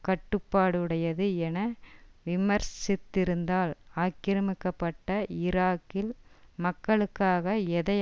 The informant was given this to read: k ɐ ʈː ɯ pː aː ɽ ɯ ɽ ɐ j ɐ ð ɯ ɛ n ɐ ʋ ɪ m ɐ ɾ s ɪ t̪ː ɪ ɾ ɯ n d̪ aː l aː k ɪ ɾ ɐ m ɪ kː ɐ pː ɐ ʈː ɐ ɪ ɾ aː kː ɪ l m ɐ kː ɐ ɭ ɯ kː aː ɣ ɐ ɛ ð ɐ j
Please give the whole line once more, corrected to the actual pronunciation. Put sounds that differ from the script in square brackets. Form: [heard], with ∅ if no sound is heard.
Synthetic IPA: k ɐ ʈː ɯ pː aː ɽ ɯ ɽ ɐ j ɐ ð ɯ ɛ n ɐ ʋ ɪ m ɐ ɾ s ɪ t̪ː ɪ ɾ ɯ n d̪ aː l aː k ɪ ɾ ɐ m ɪ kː ɐ pː ɐ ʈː ɐ ɪ ɾ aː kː ɪ l m ɐ kː ɐ ɭ ɯ kː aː ɣ ɐ ɛ ð ɐ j